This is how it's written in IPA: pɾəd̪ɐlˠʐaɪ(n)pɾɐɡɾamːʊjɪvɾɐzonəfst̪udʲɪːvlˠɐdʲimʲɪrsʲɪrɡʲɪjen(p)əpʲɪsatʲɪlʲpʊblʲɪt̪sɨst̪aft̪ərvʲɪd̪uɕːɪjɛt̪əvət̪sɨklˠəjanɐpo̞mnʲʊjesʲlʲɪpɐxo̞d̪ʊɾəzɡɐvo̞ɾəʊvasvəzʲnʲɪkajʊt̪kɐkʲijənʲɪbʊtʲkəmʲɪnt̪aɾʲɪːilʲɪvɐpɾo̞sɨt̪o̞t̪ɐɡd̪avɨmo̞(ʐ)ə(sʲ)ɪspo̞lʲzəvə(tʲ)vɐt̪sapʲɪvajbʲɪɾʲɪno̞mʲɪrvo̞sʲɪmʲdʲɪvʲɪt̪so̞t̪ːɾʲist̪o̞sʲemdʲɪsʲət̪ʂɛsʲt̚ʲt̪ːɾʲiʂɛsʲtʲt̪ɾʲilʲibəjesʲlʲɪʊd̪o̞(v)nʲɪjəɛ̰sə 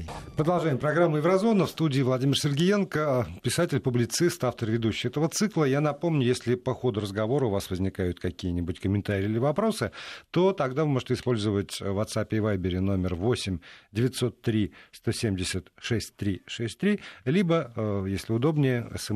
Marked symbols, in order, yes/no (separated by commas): no, no, yes, no, yes, no